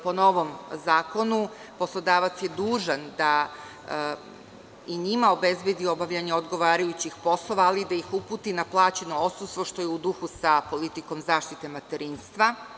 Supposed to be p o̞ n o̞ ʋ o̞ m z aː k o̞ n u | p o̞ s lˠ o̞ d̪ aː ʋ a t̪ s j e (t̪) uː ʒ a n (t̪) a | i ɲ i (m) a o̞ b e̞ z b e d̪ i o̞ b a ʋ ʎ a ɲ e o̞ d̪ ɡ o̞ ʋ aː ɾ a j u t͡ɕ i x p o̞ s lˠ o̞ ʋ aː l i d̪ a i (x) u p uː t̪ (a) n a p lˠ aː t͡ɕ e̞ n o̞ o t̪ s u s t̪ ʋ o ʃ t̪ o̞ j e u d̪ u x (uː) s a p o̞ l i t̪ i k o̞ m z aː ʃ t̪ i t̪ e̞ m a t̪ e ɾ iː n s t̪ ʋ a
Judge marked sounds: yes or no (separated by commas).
no, no, yes, yes, no, no